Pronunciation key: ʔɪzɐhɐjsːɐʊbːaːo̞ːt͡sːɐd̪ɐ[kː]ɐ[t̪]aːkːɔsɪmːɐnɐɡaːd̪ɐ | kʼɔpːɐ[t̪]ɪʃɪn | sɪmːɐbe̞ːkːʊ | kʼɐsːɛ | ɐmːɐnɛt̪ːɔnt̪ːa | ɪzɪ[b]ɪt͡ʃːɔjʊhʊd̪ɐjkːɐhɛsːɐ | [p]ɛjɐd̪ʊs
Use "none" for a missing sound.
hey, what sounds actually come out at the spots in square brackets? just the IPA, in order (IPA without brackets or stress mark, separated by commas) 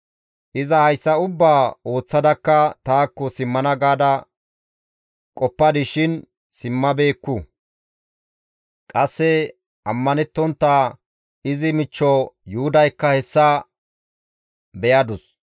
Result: kː, t̪, d̪, m, b